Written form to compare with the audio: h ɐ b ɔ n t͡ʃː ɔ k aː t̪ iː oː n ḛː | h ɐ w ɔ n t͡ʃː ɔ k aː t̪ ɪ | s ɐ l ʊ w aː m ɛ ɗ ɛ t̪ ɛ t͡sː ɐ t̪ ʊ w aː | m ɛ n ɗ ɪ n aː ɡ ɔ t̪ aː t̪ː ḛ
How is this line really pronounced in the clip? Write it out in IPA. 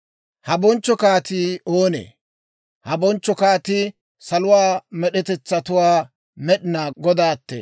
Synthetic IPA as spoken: h ɐ b ɔ n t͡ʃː ɔ k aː t̪ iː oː n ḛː | h ɐ b ɔ n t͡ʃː ɔ k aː t̪ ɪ | s ɐ l ʊ w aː m ɛ ɗ ɛ t̪ ɛ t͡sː ɐ t̪ ʊ w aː | m ɛ ɗ ɪ n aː ɡ ɔ d̪ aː t̪ː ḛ